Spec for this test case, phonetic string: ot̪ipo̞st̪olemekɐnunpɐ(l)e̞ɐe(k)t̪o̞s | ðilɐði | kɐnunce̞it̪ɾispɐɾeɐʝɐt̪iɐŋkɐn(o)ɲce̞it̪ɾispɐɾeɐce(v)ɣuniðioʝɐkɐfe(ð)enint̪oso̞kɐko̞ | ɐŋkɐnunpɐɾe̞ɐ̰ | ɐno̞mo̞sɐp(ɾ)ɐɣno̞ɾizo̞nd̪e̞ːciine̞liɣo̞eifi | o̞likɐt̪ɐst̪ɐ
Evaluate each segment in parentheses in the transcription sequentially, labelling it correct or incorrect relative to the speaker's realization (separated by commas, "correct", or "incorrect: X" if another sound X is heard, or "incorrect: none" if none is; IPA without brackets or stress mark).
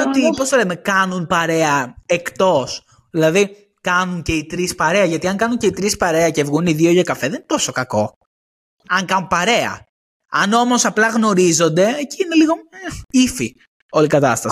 incorrect: ɾ, correct, incorrect: u, correct, correct, incorrect: l